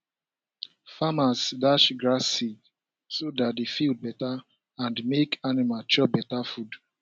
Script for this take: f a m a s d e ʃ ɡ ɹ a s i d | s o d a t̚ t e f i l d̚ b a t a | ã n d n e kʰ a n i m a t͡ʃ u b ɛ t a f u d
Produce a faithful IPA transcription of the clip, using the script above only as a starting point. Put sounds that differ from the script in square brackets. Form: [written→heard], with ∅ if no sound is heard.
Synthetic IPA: f a m a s d [e→a] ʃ ɡ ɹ a s i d | s o d a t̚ [t→d] e f i l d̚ b [a→ɛ] t a | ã n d [n→m] e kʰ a n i m a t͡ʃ [u→ɔ] b ɛ t a f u d

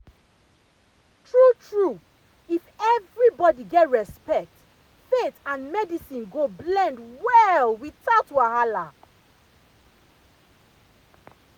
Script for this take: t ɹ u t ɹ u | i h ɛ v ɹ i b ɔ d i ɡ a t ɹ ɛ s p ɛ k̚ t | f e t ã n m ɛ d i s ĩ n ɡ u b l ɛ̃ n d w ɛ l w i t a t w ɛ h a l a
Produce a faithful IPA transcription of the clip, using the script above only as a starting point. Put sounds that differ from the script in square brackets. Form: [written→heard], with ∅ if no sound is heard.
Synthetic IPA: t ɹ u t ɹ u | i [h→f] ɛ v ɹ i b ɔ d i ɡ [a→ɛ] t ɹ ɛ s p ɛ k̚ t | f e t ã n m ɛ d i s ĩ n ɡ [u→o] b l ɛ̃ n d w ɛ l w i t a t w [ɛ→a] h a l a

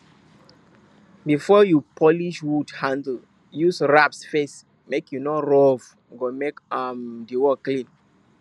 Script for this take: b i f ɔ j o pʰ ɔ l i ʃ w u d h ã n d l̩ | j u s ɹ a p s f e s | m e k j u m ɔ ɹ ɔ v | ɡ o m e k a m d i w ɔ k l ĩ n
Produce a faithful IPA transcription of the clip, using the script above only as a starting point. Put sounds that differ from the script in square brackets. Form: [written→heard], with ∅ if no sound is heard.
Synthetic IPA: b i f ɔ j [o→u] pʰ ɔ l i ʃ w u d h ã n d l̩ | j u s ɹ a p s f e s | m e k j u [m→n] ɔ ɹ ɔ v | ɡ o m e k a m d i w ɔ k l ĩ n

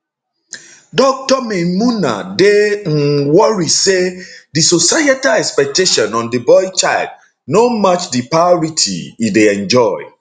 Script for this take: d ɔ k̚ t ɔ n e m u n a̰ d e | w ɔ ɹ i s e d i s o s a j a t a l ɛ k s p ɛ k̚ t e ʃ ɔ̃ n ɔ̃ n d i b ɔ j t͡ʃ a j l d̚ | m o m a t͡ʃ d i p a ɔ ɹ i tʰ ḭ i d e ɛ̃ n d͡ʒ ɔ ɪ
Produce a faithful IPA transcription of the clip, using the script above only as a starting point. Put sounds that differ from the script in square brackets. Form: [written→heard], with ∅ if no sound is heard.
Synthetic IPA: d ɔ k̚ t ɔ [n→m] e m u n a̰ d e | w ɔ ɹ i s e d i s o s a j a t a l ɛ k s p ɛ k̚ t e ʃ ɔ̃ n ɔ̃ n d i b ɔ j t͡ʃ a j l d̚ | [m→n] o m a t͡ʃ d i p a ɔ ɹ i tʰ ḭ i d e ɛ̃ n d͡ʒ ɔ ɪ

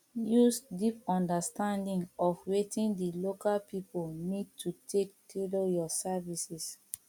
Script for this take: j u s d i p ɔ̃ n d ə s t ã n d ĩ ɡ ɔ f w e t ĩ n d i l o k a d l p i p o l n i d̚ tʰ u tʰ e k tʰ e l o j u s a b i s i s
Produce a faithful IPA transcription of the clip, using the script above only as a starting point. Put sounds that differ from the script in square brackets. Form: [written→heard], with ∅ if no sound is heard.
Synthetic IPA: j u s d i p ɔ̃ n d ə s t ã n d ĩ [ɡ→ŋ] ɔ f w e t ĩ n d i l o k a [d→∅] l p i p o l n i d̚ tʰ u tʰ e k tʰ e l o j [u→ɔ] s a [b→v] i s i s

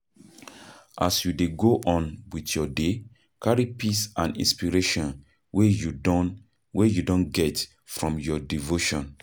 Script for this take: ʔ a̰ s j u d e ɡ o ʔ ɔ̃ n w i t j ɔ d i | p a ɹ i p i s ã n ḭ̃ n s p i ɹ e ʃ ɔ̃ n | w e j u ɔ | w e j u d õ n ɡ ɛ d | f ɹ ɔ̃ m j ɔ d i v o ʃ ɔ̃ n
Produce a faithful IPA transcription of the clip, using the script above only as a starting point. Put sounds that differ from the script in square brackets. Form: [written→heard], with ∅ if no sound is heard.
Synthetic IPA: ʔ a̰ s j u d e ɡ o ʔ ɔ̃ n w i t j ɔ d [i→e] | [p→k] a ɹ i p i s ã n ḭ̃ n s p i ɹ e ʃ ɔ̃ n | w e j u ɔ | w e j u d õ n ɡ ɛ [d→t] | f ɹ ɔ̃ m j ɔ d i v o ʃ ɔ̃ n

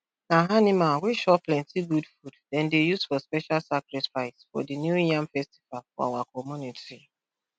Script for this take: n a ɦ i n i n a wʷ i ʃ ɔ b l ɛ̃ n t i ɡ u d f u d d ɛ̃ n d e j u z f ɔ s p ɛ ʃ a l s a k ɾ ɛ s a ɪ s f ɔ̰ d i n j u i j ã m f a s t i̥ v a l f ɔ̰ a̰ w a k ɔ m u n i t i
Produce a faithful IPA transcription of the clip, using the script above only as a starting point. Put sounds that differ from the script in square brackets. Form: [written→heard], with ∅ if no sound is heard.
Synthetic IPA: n a ɦ [i→a] n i [n→m] a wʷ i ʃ ɔ [b→p] l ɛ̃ n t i ɡ u d f u d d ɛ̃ n d e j u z f ɔ s p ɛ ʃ a l s a k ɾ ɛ [s→f] a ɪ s f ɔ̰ d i n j u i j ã m f [a→ɛ] s t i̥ v a l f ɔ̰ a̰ w a k ɔ m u n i t i

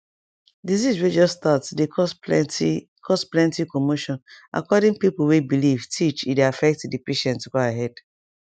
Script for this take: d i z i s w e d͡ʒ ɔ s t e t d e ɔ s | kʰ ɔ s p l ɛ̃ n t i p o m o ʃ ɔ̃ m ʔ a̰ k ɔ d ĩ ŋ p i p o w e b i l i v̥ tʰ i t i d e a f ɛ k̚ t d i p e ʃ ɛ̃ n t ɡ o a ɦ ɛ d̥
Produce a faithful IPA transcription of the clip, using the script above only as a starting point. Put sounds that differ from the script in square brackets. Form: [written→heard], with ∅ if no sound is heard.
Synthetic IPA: d i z i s w e d͡ʒ ɔ s t [e→a] t d e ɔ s | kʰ ɔ s p l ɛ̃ n t i [p→k] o m o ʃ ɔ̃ [m→n] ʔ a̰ k ɔ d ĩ ŋ p i p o w e b i l i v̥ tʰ i [t→t͡ʃ] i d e a f ɛ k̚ t d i p e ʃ ɛ̃ n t ɡ o a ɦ ɛ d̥

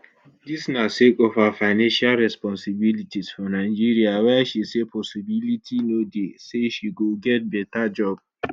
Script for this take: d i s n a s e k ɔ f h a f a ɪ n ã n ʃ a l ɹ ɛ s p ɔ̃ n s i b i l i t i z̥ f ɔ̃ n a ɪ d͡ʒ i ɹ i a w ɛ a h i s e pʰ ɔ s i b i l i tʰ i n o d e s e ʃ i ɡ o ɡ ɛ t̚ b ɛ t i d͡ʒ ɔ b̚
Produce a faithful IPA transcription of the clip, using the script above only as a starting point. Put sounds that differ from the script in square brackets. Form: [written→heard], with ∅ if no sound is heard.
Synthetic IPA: d i s n a s e k ɔ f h a f a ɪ n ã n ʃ a l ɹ ɛ s p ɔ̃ n s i b i l i t i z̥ f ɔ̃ n a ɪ d͡ʒ i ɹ i a w ɛ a [h→ʃ] i s e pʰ ɔ s i b i l i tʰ i n o d e s e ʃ i ɡ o ɡ ɛ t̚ b ɛ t [i→a] d͡ʒ ɔ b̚

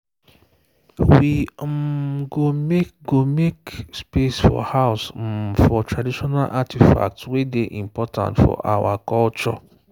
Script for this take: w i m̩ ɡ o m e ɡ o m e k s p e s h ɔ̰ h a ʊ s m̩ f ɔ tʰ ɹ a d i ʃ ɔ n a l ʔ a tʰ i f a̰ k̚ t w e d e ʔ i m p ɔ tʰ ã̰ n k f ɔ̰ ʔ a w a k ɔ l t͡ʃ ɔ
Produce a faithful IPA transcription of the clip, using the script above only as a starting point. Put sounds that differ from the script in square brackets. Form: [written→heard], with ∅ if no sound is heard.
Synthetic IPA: w i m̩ ɡ o m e ɡ o m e k s p e s [h→f] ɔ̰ h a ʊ s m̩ f ɔ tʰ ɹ a d i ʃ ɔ n a l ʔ a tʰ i f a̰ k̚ t w e d e ʔ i m p ɔ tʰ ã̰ n [k→t] f ɔ̰ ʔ a w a k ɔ l t͡ʃ ɔ

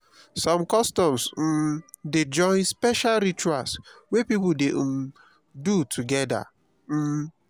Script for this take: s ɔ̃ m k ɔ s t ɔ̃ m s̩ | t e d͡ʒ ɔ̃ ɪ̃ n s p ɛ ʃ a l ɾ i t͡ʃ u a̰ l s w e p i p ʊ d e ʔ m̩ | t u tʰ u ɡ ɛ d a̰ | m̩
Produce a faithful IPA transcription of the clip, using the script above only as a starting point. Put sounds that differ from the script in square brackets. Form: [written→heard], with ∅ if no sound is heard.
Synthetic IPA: s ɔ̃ m k ɔ s t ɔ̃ m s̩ | [t→d] e d͡ʒ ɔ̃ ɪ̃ n s p ɛ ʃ a l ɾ i t͡ʃ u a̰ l s w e p i p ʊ d e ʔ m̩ | [t→d] u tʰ u ɡ ɛ d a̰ | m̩

